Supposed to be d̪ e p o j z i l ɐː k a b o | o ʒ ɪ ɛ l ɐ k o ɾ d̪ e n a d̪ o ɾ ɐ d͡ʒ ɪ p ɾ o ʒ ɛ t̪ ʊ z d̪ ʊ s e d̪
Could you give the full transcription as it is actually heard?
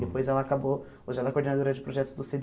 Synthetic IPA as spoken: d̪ e p o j z ɛ l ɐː k a b o | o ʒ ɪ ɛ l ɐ k o ɾ d̪ e n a d̪ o ɾ ɐ d͡ʒ ɪ p ɾ o ʒ ɛ t̪ ʊ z d̪ ʊ s e d̪